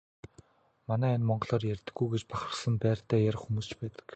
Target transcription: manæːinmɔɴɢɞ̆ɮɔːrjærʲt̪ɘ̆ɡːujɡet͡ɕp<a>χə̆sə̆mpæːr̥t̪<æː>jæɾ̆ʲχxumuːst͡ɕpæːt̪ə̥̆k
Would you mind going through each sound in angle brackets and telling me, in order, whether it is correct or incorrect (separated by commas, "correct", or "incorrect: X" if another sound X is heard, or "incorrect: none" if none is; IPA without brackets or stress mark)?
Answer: correct, correct